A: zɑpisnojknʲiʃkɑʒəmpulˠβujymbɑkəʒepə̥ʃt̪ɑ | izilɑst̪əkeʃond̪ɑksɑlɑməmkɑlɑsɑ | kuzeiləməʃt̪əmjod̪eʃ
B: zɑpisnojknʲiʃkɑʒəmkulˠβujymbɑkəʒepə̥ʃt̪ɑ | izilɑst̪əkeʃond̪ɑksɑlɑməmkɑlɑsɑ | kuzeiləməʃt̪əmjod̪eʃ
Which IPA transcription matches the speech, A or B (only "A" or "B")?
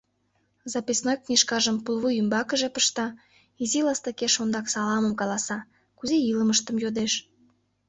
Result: A